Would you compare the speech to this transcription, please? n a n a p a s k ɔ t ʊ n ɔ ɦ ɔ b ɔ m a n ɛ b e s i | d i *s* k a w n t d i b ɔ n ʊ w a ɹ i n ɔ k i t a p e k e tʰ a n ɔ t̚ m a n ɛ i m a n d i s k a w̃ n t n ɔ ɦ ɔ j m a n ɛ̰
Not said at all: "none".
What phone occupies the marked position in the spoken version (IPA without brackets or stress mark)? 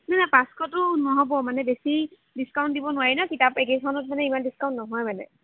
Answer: s